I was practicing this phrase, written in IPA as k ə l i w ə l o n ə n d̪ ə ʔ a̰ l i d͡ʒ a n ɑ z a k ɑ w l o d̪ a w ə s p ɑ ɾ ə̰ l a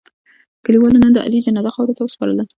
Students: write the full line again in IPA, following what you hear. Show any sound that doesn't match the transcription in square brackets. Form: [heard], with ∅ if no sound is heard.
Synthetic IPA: k ə l i w [ɑ] l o n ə n d̪ ə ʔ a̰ l i d͡ʒ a n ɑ z a [x] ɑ w [ɾ] o [t̪] a w ə s p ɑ ɾ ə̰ l a